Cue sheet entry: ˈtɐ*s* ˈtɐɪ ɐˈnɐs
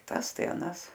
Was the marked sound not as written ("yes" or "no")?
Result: no